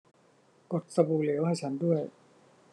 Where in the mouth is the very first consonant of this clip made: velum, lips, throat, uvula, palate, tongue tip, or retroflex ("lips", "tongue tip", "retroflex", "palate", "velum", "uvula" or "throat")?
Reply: velum